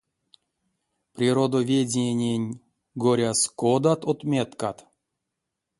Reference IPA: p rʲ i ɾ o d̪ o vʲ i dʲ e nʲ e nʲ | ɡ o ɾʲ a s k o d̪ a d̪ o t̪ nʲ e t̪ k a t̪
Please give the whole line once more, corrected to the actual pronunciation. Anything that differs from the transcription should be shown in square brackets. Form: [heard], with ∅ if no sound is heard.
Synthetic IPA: p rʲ i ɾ o d̪ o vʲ [e] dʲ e nʲ e nʲ | ɡ o ɾʲ a s k o d̪ a [t̪] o t̪ [mʲ] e t̪ k a t̪

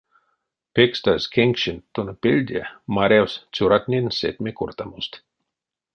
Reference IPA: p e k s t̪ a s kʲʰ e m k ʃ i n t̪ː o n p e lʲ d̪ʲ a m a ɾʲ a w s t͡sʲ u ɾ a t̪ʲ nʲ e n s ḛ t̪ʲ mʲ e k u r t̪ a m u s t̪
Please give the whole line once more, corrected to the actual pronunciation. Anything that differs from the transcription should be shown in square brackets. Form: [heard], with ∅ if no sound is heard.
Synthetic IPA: p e k s t̪ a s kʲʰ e [ŋ] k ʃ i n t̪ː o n p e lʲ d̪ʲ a m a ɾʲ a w s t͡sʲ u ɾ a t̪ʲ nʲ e n s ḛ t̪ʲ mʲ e k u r t̪ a m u s t̪

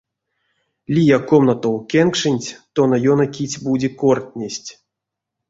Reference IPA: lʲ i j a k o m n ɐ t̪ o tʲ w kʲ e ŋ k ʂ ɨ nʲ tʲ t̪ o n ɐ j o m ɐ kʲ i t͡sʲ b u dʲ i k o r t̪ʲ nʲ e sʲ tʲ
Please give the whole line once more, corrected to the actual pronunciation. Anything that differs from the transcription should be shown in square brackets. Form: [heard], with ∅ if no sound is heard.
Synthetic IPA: lʲ i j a k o m n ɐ t̪ o [∅] w kʲ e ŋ k ʂ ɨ nʲ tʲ t̪ o n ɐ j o [n] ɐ kʲ i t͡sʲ b u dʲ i k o r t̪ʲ nʲ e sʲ tʲ

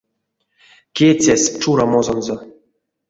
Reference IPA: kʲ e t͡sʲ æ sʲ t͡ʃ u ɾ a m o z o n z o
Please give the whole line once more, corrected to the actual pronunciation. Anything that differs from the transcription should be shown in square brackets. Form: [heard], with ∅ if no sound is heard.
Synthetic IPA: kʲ e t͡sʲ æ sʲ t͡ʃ u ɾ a m o z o n z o

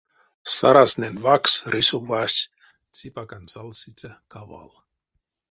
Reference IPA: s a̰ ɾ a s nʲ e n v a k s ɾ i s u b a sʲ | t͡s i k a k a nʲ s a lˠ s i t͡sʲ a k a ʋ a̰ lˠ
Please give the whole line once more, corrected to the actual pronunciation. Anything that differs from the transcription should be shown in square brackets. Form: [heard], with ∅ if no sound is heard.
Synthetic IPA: s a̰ ɾ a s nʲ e n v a k s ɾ i s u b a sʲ | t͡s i [p] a k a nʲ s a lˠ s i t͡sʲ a k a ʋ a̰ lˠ

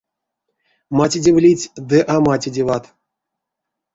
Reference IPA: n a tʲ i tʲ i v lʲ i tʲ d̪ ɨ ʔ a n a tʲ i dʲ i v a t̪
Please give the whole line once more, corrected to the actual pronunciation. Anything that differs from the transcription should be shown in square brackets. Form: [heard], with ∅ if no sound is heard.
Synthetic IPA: [m] a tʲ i [dʲ] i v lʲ i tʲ d̪ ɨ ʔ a [m] a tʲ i dʲ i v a t̪

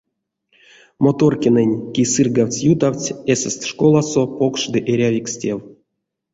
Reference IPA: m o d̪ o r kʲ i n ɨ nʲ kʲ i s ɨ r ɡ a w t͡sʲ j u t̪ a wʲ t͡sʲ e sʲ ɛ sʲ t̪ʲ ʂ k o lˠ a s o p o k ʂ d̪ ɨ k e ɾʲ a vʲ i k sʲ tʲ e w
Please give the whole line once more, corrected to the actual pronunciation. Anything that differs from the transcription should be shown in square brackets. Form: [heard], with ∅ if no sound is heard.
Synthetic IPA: m o [t̪] o r kʲ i n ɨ nʲ kʲ i s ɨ r ɡ a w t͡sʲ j u t̪ a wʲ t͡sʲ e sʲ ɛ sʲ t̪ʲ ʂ k o lˠ a s o p o k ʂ d̪ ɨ [ʔ] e ɾʲ a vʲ i k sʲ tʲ e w

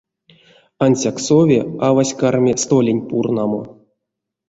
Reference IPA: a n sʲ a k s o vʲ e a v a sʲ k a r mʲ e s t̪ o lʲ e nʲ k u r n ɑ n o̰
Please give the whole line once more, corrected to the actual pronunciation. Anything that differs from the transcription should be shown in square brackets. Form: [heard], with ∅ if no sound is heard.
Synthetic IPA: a n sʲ a k s o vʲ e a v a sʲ k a r mʲ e s t̪ o lʲ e nʲ [p] u r n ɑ [m] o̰

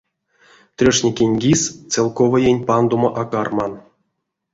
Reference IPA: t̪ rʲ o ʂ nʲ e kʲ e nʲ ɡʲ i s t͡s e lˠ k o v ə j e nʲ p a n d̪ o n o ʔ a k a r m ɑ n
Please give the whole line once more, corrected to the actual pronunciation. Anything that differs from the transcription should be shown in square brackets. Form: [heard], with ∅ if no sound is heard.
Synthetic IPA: t̪ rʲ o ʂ nʲ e kʲ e nʲ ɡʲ i s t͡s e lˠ k o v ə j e nʲ p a n d̪ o [m] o ʔ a k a r m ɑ n

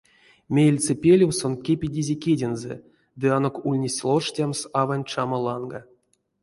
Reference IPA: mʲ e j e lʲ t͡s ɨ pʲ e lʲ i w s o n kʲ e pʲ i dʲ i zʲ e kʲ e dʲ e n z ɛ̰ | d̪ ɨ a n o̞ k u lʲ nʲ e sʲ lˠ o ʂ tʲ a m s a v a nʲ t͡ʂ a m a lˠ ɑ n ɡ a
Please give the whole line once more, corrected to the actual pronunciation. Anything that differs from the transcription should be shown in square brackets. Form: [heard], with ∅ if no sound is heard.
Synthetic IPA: mʲ e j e lʲ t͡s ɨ pʲ e lʲ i w s o n kʲ e pʲ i dʲ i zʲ e kʲ e dʲ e n z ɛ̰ | d̪ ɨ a n o̞ k u lʲ nʲ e sʲ lˠ o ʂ tʲ a m s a v a nʲ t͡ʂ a m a lˠ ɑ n ɡ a

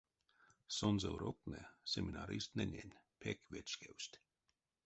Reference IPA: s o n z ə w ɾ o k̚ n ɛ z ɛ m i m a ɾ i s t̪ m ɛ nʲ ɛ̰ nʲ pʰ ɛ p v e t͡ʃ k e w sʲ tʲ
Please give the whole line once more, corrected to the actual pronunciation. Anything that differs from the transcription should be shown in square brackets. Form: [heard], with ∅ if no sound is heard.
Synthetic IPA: s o n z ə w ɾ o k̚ n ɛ [s] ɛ m i [n] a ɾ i s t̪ [n] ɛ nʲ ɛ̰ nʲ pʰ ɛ [k] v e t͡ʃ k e w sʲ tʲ

